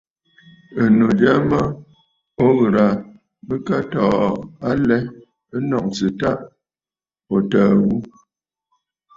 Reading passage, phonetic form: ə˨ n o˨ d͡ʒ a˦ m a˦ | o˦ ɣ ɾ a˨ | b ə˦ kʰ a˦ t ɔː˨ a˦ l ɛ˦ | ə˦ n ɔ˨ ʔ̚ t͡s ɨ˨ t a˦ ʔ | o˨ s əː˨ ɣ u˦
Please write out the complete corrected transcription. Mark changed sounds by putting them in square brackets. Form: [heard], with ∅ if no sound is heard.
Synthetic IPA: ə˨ n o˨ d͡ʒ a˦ m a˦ | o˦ ɣ ɾ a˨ | b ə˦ [k] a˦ t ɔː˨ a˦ l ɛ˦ | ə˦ n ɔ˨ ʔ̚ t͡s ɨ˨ t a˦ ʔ | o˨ [t] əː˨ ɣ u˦